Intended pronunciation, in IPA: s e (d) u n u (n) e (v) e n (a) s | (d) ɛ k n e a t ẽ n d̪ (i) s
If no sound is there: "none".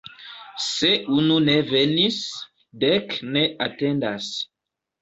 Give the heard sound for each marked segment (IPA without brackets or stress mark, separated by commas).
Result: none, n, v, i, d, a